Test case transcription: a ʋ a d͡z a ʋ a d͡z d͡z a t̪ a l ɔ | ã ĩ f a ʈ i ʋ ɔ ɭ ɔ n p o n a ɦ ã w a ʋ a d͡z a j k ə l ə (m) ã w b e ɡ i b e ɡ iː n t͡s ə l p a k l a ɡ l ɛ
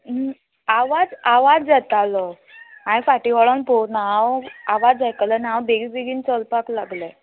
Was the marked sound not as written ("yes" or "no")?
yes